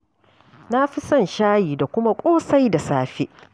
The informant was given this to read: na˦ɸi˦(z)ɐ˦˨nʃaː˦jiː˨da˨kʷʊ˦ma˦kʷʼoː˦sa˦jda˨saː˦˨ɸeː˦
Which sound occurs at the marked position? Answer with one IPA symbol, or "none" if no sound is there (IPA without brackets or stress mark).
s